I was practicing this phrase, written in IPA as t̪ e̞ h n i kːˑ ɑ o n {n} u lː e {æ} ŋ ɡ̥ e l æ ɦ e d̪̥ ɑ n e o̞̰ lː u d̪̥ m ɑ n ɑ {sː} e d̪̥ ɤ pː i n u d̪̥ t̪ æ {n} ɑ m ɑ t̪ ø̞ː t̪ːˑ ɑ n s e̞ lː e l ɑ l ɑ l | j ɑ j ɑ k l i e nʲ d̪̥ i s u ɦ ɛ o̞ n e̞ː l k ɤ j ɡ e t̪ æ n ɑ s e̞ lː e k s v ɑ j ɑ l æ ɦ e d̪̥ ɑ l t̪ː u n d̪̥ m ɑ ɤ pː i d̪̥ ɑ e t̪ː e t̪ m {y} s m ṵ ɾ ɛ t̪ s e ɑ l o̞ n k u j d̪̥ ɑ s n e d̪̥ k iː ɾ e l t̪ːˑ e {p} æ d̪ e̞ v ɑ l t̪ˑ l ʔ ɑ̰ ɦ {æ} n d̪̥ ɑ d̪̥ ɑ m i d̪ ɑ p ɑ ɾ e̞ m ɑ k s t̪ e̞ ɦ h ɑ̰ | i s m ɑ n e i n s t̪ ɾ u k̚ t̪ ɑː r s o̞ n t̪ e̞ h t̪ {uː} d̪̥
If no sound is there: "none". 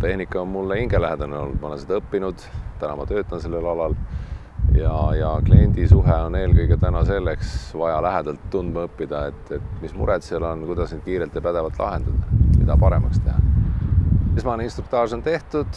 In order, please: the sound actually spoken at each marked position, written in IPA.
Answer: m, i, s, n, i, p, e, u

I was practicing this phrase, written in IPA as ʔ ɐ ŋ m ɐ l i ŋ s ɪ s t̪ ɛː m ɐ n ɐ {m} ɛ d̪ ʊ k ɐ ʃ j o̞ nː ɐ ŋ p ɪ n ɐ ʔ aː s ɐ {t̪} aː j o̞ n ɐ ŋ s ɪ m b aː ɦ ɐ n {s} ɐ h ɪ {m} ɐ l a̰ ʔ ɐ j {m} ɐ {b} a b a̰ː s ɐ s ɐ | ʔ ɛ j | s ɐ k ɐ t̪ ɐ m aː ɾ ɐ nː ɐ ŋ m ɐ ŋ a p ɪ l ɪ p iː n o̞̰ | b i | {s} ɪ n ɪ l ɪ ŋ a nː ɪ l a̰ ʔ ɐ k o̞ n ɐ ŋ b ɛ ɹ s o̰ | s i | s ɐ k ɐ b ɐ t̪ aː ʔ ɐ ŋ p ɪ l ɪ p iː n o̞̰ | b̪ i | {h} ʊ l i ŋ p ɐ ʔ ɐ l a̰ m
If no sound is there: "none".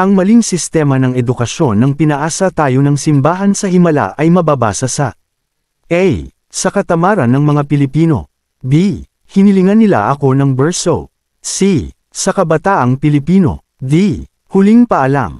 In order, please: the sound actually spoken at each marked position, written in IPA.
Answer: ŋ, t̪, s, m, m, b, h, h

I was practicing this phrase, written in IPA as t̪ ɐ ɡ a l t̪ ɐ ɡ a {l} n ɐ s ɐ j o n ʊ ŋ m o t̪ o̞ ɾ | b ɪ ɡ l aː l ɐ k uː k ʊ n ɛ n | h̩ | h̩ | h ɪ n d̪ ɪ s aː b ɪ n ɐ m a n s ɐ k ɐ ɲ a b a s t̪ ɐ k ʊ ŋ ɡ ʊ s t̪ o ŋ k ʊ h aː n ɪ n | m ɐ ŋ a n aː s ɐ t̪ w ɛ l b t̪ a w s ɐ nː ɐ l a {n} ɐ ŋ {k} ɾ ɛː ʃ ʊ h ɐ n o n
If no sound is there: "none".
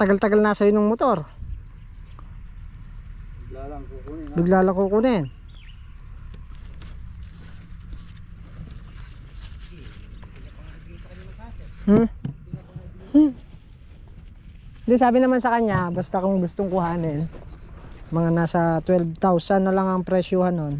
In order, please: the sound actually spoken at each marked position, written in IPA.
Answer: l, ŋ, p

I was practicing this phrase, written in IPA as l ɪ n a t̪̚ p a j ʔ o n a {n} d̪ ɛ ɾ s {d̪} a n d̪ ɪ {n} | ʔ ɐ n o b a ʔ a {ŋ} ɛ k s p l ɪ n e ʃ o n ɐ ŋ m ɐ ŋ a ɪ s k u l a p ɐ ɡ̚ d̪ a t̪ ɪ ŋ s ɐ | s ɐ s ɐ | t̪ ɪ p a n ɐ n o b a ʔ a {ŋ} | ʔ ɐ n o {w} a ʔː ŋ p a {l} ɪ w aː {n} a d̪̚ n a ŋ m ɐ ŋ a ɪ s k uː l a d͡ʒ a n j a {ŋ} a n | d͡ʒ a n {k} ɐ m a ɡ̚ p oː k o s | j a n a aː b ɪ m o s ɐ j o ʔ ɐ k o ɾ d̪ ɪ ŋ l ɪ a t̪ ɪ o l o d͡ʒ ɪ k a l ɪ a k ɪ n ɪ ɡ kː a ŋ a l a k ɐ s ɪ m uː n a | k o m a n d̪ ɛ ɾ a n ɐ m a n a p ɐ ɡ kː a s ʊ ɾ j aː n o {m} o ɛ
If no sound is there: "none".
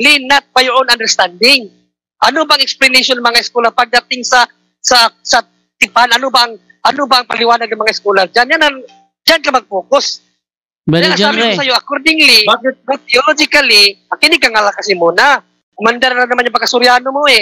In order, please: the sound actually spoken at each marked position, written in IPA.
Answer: n, t̪, ŋ, ŋ, ŋ, b, l, n, n, k, m

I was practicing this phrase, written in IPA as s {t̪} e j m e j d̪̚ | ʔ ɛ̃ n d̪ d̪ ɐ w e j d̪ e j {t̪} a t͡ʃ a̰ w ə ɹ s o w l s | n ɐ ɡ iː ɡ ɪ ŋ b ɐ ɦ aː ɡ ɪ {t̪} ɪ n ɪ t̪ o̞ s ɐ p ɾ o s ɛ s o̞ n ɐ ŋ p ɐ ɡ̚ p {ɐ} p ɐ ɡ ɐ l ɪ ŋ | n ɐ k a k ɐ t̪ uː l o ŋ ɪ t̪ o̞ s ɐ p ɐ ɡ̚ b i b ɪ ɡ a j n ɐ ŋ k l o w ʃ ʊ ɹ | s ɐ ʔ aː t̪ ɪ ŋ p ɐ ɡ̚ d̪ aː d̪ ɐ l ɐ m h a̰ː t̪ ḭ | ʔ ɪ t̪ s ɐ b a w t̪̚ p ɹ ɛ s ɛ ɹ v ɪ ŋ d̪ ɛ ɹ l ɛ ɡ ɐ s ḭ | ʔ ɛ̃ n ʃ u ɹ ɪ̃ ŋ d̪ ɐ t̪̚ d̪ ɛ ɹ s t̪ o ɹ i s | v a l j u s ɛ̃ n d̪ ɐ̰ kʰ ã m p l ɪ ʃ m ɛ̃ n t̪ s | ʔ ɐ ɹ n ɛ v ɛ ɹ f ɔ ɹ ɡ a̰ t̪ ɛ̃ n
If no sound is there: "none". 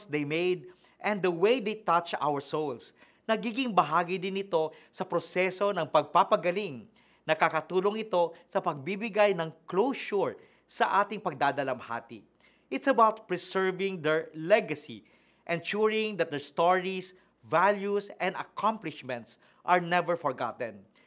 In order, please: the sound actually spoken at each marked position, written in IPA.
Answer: d̪, t̪, d̪, a

